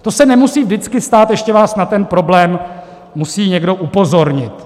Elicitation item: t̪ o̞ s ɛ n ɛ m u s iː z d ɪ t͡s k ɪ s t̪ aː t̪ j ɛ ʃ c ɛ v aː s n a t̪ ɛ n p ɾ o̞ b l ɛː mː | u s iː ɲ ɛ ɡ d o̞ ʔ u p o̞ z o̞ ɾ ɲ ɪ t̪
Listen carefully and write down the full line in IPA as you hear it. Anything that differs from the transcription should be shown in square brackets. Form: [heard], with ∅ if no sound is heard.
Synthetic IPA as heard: t̪ o̞ s ɛ n ɛ m u s iː [v] d ɪ t͡s k ɪ s t̪ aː t̪ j ɛ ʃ c ɛ v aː s n a t̪ ɛ n p ɾ o̞ b l ɛː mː | u s iː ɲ ɛ ɡ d o̞ ʔ u p o̞ z o̞ ɾ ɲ ɪ t̪